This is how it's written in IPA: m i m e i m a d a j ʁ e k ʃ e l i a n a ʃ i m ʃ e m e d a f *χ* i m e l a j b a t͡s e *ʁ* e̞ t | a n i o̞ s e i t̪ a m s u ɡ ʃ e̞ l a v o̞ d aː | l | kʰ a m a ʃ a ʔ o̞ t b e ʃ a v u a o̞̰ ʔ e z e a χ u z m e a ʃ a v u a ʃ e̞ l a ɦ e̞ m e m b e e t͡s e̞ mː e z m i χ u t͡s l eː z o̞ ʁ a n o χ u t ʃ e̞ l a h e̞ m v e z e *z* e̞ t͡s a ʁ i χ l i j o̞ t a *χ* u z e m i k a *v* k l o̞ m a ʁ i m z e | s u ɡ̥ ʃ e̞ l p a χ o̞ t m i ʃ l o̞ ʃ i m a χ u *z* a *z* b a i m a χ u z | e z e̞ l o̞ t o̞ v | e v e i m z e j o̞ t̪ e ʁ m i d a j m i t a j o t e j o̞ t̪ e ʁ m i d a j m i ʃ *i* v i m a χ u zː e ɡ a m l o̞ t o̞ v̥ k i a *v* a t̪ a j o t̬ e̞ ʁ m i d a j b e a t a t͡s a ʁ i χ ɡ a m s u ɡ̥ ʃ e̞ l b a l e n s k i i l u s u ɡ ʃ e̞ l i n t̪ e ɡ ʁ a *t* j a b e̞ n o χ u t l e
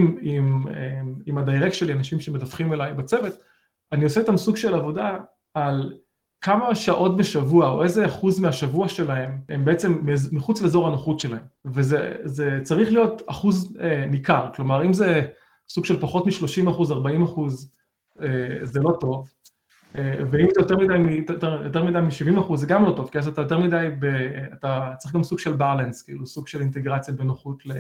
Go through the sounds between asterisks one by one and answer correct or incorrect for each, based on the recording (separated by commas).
correct, incorrect, correct, correct, incorrect, correct, incorrect, correct, incorrect, incorrect